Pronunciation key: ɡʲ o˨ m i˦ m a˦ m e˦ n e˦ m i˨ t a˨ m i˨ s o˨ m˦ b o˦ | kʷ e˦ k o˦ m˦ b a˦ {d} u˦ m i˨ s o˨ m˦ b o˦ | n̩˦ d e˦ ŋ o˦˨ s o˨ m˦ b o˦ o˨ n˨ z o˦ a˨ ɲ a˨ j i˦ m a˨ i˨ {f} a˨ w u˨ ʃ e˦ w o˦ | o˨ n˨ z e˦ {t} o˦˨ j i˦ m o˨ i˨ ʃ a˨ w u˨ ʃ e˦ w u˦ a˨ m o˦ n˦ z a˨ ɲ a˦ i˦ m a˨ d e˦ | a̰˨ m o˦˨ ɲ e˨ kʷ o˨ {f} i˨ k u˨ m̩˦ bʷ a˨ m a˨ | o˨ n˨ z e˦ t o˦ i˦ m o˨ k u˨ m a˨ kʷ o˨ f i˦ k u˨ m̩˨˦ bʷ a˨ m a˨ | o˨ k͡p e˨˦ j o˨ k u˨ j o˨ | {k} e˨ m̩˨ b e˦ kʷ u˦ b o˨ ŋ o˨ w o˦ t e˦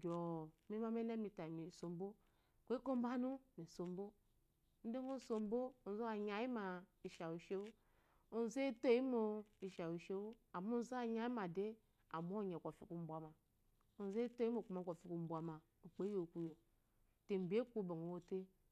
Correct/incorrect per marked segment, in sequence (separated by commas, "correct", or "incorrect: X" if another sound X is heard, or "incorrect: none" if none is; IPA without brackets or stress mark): incorrect: n, incorrect: ʃ, correct, correct, incorrect: t